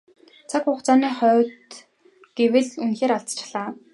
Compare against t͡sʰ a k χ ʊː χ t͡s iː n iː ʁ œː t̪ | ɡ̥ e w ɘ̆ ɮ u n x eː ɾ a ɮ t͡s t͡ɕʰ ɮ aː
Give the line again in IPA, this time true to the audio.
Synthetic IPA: t͡sʰ a k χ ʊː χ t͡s aː n iː χ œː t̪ | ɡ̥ e w ɘ̆ ɮ u n x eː ɾ a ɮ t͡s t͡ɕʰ ɮ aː